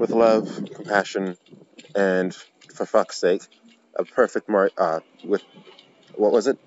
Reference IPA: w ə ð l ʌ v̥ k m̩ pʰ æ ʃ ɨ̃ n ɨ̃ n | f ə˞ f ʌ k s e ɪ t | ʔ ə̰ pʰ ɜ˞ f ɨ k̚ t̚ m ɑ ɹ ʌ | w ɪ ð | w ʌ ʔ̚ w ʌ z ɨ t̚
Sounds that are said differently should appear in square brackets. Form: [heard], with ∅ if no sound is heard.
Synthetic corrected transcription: w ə ð l ʌ v̥ [kʰ] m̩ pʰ æ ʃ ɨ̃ n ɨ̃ n | f ə˞ f ʌ k s e ɪ [k] | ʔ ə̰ pʰ ɜ˞ f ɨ k̚ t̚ m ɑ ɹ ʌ | w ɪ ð | w ʌ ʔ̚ w ʌ z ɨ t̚